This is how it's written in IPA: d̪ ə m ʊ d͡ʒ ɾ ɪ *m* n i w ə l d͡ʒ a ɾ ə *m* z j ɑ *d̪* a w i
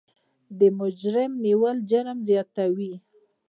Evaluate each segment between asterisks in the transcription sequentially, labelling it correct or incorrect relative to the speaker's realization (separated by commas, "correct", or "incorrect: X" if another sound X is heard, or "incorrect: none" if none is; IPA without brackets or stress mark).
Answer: correct, correct, incorrect: t̪